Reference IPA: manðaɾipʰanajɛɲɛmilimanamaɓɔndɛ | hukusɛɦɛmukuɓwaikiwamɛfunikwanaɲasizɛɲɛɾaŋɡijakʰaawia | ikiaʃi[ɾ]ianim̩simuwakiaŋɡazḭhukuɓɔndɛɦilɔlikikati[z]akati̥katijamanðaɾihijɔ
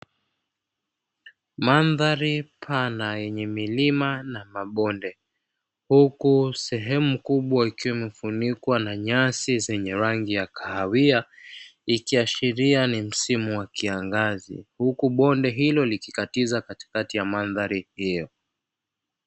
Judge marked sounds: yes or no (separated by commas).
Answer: yes, yes